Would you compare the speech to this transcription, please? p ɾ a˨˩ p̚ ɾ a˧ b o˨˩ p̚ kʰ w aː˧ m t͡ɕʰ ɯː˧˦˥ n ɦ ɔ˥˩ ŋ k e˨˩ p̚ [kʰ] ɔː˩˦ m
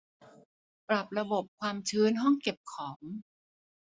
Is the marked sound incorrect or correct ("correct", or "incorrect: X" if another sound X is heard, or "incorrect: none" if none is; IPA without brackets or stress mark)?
correct